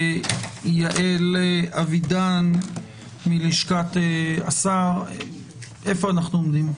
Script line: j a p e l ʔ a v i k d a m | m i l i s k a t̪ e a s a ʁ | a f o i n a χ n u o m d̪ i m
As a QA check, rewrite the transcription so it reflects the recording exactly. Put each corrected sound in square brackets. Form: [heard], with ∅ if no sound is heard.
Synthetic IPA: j a [ʔ] e l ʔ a v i [∅] d a [n] | m i l i [ʃ] k a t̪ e a s a ʁ | [e] f o [a] n a χ n u o m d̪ i m